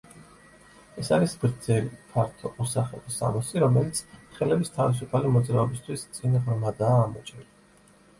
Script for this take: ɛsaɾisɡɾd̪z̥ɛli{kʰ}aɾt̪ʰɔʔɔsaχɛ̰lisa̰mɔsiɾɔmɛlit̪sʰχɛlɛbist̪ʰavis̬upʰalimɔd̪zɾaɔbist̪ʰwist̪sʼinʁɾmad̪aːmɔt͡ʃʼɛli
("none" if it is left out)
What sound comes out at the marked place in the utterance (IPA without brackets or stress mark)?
pʰ